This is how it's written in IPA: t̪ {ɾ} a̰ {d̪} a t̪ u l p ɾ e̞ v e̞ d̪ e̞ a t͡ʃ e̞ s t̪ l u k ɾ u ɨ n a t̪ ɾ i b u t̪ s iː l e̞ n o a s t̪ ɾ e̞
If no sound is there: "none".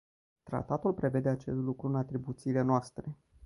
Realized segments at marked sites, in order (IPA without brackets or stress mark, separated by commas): ɾ, t̪